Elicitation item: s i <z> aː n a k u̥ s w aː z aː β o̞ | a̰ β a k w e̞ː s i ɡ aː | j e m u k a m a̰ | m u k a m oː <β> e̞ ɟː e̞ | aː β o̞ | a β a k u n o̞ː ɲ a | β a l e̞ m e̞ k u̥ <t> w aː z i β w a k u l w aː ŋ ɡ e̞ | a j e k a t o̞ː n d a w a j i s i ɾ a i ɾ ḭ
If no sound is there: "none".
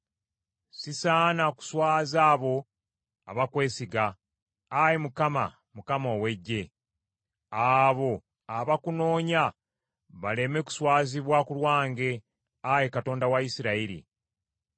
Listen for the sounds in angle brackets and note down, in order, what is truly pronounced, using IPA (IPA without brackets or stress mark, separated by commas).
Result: s, w, s